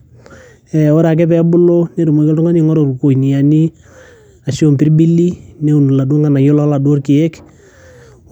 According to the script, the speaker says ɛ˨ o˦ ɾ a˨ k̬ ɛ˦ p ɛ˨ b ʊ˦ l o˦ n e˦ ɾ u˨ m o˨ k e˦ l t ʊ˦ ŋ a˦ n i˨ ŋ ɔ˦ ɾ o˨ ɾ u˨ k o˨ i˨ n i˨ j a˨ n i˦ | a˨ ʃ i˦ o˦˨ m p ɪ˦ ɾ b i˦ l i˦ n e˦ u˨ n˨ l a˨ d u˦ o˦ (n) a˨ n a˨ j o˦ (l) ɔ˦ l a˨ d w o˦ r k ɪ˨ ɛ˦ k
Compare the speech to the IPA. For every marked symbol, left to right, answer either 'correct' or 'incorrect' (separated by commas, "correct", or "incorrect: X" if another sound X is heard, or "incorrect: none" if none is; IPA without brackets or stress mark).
incorrect: ŋ, correct